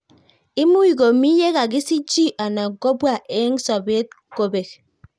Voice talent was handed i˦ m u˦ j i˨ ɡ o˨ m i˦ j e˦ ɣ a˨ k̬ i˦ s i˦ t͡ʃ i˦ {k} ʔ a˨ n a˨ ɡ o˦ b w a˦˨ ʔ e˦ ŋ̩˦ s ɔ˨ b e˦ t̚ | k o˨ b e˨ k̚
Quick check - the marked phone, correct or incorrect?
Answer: incorrect